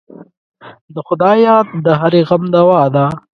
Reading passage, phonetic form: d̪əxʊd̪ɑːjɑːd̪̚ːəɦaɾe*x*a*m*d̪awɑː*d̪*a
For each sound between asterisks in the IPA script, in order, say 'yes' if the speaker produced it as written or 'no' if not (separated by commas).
no, yes, yes